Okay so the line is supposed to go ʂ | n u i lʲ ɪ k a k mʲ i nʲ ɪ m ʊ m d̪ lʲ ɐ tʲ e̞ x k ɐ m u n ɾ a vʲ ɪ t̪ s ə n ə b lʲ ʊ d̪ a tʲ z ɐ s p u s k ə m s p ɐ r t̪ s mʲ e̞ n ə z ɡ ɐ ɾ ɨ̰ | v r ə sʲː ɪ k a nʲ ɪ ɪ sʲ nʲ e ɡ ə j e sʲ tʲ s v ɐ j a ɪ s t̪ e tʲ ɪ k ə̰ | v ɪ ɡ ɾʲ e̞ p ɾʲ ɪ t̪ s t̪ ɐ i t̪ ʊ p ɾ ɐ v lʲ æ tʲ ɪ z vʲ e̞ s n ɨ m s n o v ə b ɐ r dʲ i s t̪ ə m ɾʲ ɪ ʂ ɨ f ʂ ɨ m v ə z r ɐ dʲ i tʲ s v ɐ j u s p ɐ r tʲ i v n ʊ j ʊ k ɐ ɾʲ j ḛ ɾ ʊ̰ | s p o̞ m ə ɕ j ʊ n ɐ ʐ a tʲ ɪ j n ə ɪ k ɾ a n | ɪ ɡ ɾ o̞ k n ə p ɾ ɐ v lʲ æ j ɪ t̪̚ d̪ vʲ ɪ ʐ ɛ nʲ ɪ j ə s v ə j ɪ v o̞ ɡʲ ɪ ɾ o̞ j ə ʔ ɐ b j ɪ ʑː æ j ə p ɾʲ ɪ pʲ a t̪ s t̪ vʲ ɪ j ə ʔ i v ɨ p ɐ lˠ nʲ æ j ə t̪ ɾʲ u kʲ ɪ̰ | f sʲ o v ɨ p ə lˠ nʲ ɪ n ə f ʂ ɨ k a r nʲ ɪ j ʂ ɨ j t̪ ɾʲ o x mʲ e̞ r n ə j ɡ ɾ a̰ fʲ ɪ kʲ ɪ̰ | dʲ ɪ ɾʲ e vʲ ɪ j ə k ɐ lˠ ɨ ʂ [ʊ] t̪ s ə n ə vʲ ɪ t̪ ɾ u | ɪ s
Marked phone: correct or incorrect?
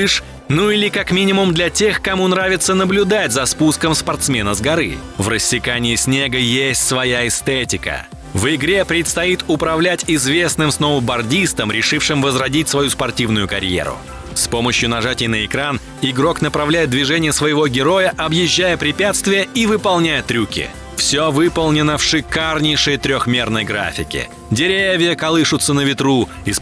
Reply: correct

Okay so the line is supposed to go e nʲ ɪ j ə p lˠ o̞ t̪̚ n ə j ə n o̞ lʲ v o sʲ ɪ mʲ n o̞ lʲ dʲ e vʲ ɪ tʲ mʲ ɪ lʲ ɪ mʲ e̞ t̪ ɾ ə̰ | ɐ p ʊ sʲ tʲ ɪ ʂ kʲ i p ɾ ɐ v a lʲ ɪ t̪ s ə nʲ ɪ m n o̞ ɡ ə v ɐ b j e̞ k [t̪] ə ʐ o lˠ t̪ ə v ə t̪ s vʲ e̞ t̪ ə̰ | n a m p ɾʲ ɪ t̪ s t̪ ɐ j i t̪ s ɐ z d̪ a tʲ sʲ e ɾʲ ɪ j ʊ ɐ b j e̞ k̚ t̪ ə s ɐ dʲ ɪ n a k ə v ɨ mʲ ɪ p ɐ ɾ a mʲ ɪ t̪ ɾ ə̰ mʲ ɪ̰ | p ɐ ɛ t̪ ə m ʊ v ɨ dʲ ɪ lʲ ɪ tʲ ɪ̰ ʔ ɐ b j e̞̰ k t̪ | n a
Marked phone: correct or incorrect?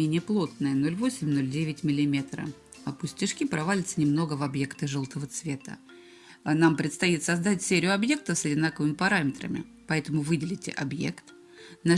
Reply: correct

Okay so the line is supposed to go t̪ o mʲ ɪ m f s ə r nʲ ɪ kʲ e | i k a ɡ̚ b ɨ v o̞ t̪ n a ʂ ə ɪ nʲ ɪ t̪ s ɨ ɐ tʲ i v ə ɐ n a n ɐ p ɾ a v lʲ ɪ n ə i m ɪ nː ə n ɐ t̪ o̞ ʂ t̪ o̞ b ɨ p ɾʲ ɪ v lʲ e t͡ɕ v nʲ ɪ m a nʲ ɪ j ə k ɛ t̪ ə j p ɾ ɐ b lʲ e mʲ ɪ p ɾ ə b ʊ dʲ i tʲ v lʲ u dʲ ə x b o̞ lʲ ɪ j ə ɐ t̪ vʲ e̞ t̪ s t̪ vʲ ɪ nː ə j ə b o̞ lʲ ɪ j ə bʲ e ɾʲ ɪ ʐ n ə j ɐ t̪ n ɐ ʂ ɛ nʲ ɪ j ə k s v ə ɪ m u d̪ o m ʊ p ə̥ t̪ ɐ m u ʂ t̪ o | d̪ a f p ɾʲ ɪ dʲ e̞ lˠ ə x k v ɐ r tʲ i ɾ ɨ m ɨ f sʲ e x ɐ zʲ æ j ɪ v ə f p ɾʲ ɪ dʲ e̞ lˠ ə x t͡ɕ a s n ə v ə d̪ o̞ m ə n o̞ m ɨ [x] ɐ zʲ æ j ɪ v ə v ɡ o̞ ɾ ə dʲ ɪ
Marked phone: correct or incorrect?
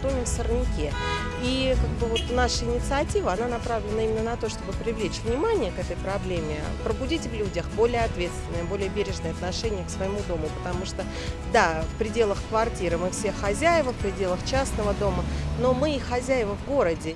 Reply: correct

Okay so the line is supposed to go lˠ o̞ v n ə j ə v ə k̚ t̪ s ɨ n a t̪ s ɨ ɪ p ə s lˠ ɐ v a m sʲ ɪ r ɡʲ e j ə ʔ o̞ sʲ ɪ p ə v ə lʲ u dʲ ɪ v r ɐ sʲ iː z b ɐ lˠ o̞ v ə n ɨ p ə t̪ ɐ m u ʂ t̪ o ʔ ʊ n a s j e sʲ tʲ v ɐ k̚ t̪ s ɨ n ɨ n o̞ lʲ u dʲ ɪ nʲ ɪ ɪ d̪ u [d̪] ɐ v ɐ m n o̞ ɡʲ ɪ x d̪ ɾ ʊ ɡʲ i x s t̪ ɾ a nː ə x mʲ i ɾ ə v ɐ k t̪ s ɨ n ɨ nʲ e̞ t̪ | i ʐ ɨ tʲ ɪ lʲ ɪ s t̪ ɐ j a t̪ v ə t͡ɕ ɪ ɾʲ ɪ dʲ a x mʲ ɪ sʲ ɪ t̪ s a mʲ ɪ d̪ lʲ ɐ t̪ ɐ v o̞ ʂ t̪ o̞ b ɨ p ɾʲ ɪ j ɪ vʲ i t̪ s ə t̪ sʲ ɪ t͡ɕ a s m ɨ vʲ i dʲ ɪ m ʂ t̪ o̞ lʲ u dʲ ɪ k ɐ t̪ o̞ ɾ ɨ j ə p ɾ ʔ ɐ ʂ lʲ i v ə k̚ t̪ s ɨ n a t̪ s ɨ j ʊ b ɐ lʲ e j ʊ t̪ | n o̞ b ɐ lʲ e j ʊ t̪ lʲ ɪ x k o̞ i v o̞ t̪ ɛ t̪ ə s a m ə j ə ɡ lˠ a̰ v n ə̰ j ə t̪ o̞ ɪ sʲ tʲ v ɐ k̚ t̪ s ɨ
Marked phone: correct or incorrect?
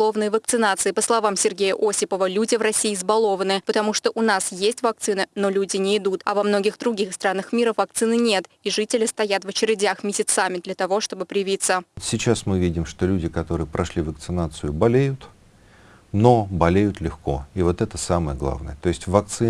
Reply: incorrect: t̪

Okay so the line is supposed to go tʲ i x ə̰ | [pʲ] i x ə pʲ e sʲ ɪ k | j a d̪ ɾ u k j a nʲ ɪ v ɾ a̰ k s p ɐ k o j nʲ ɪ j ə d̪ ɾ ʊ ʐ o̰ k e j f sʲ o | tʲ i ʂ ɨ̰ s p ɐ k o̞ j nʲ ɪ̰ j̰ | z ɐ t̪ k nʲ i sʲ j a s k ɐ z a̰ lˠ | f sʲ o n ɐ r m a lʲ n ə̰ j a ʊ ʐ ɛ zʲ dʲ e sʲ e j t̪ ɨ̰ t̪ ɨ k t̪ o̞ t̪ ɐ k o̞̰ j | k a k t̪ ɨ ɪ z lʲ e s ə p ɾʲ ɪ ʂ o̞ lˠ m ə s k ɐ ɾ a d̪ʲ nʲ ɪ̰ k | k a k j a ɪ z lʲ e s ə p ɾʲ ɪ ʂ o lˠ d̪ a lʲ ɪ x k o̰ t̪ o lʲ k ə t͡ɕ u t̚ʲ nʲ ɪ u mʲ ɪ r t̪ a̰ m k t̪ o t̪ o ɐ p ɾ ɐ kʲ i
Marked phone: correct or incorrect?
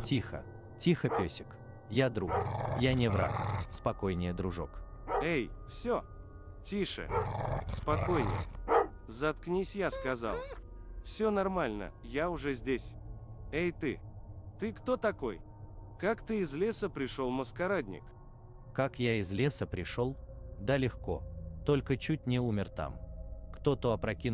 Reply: incorrect: tʲ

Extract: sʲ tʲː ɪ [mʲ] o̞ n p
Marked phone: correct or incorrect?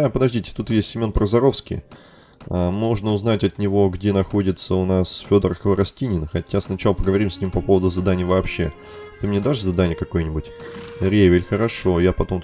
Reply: correct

